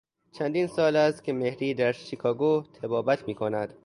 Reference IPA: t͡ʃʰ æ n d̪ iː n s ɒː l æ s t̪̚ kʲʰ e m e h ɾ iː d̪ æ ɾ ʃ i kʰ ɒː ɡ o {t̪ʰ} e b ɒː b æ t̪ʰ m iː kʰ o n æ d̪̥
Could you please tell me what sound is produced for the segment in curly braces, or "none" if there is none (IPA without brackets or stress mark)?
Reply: t̪ʰ